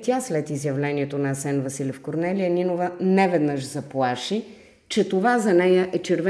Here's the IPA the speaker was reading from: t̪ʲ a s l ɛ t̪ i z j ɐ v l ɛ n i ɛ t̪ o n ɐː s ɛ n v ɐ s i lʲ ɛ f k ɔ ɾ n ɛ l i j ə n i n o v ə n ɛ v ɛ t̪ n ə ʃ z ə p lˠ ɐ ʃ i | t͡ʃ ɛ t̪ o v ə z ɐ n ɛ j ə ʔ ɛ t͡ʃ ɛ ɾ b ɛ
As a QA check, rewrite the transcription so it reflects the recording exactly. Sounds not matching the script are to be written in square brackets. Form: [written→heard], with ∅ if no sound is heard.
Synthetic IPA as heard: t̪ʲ a s l ɛ t̪ i z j ɐ v l ɛ n i ɛ t̪ o n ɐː s ɛ n v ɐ s i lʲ ɛ f k [ɔ→o] ɾ n ɛ l i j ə n i n o v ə n ɛ v ɛ [t̪→d̪] n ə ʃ z [ə→ɐ] p lˠ [ɐ→a] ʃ i | t͡ʃ ɛ t̪ o v [ə→a] z ɐ n ɛ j ə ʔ ɛ t͡ʃ ɛ ɾ [b→v] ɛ